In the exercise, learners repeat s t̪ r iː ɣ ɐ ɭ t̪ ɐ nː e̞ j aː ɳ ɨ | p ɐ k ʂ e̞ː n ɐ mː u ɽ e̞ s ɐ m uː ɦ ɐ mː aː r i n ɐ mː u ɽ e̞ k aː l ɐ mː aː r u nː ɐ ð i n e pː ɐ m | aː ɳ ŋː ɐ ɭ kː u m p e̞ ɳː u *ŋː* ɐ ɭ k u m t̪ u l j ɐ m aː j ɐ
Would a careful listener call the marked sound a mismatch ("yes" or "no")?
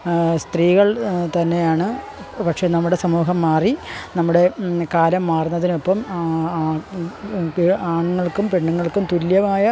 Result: no